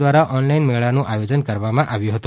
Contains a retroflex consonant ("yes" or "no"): yes